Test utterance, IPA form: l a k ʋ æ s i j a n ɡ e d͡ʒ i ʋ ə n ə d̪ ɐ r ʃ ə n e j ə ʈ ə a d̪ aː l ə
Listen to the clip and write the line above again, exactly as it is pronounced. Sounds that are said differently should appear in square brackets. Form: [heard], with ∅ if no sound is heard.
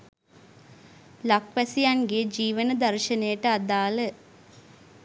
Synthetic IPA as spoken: l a k ʋ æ s i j a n ɡ e d͡ʒ [iː] ʋ ə n ə d̪ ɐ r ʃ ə n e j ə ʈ ə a d̪ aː l ə